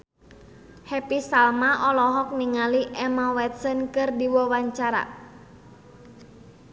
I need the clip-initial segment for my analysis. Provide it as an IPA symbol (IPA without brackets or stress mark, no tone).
h